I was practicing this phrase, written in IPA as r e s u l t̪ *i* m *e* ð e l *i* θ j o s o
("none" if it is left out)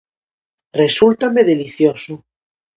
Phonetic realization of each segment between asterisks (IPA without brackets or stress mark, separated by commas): a, e, i